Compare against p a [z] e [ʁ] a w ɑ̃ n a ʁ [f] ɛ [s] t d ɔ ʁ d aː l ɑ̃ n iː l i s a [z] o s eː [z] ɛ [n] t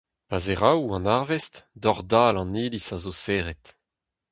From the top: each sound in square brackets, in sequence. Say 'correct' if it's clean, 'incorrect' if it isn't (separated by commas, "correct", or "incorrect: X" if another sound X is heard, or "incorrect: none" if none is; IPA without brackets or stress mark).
correct, correct, incorrect: v, correct, correct, incorrect: ʁ, incorrect: none